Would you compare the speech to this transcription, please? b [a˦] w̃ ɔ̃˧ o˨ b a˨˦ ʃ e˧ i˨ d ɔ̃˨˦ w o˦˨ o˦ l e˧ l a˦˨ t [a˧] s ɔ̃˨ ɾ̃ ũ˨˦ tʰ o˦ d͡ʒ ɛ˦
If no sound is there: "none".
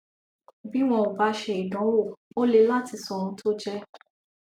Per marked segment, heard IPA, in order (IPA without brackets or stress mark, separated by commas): i˦, i˧